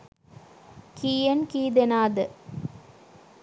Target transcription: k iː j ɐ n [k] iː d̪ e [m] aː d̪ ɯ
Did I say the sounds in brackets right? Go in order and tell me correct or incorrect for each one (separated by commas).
correct, incorrect